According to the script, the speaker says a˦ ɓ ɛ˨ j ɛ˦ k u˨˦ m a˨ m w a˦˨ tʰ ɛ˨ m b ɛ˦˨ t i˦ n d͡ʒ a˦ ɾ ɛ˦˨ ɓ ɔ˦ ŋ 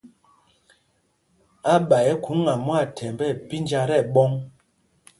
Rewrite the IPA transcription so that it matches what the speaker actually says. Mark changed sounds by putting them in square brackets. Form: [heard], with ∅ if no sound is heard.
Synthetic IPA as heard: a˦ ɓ [a˨] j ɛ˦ k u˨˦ [ŋ] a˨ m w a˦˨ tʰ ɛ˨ m b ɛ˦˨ [p] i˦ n d͡ʒ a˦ ɾ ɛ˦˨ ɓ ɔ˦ ŋ